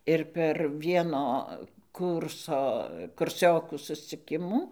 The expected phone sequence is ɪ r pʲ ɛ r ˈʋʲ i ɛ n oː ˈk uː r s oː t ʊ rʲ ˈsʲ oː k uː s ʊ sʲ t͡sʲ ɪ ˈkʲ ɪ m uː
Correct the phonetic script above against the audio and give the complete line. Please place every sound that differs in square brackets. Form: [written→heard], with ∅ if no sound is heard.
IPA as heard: ɪ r pʲ ɛ r ˈʋʲ i ɛ n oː ˈk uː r s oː [t→k] ʊ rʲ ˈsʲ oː k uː s ʊ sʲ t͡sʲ ɪ ˈkʲ ɪ m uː